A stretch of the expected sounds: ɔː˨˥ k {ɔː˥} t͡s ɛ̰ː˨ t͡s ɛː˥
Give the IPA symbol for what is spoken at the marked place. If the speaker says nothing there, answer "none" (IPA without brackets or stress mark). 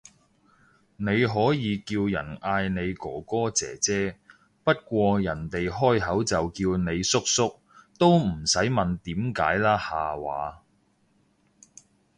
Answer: ɔː˥